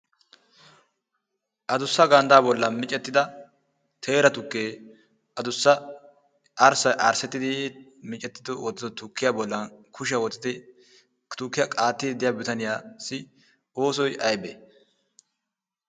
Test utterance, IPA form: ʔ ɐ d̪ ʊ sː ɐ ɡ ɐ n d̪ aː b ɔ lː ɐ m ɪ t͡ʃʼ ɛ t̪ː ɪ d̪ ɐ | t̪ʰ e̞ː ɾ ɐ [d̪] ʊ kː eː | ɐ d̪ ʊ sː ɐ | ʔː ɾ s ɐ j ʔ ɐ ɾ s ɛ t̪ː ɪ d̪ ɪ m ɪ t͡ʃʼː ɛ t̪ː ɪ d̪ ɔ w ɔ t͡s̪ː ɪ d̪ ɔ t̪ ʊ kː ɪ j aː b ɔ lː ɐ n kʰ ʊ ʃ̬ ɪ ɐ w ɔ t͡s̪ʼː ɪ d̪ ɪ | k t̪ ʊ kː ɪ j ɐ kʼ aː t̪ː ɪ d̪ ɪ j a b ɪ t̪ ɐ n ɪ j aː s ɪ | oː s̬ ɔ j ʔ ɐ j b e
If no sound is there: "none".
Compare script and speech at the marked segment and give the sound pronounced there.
t̪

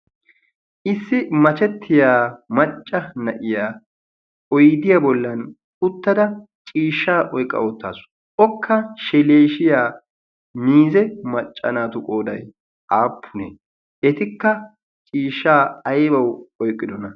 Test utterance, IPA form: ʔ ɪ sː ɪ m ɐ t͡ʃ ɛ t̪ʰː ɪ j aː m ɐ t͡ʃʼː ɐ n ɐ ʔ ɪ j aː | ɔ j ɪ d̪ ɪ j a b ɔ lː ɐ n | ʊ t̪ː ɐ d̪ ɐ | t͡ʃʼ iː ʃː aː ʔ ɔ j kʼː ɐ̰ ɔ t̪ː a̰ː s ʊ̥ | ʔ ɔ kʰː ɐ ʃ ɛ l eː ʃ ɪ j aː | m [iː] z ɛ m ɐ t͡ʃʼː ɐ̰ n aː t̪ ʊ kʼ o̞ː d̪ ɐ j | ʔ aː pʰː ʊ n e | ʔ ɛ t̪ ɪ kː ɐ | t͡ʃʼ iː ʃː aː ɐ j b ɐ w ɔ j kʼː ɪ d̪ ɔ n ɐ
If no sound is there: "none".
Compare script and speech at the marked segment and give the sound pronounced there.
iː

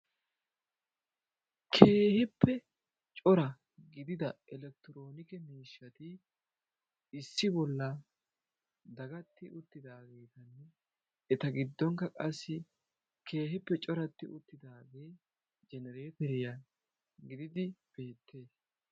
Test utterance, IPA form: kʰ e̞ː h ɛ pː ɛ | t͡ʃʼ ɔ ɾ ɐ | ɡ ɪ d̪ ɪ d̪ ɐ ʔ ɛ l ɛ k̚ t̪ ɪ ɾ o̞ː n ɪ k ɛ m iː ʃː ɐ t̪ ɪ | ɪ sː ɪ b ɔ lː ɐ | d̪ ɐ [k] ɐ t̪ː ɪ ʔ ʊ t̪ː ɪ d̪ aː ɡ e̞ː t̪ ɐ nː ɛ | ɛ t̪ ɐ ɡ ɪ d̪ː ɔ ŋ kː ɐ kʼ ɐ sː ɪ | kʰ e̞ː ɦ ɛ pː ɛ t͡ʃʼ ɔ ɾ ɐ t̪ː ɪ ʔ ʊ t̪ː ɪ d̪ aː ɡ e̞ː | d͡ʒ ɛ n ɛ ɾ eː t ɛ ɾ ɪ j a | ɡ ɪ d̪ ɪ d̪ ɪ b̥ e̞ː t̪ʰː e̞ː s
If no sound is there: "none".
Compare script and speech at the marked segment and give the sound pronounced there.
ɡ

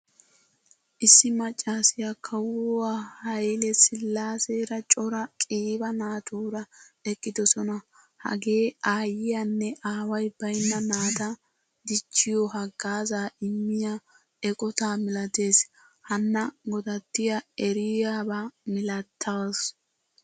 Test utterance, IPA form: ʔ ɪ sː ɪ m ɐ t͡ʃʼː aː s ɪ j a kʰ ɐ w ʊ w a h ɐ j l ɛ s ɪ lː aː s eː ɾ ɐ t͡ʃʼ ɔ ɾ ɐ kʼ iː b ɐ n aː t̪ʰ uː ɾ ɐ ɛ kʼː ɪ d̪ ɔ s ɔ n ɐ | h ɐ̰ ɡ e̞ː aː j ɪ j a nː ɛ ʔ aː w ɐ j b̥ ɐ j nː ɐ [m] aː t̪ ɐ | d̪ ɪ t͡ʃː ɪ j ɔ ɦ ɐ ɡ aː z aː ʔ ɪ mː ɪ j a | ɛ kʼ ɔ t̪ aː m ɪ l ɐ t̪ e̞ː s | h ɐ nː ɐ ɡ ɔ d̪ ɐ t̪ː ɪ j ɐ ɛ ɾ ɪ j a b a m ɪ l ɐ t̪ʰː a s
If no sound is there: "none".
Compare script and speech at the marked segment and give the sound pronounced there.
n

